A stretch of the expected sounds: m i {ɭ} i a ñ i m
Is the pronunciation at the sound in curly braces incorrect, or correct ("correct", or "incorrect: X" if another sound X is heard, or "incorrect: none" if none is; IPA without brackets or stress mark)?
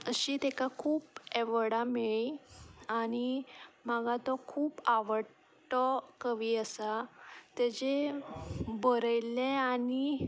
correct